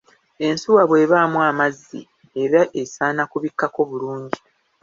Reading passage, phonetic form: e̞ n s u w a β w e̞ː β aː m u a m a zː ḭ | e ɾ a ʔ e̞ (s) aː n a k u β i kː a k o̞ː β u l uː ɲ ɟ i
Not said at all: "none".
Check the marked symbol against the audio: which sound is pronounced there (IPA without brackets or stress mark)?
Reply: s